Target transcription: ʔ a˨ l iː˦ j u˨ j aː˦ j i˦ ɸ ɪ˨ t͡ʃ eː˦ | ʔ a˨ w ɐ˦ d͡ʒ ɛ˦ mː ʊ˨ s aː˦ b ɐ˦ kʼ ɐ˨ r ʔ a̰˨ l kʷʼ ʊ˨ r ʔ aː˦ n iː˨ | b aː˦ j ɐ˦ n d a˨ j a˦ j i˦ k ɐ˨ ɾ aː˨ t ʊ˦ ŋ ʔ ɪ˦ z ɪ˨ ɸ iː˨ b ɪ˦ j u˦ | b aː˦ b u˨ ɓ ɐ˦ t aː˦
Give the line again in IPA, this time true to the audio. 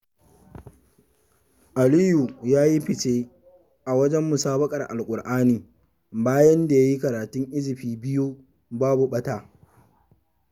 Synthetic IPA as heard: ʔ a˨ l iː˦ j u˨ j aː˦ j i˦ ɸ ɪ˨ t͡ʃ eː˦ | ʔ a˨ w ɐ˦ d͡ʒ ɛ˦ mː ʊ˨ s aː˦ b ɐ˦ kʼ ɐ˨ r ʔ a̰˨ l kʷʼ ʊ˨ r ʔ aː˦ n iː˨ | b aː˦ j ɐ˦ n d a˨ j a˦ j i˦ k ɐ˨ ɾ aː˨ t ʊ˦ ŋ ʔ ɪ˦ z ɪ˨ ɸ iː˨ b ɪ˦ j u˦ | b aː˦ b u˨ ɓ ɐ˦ t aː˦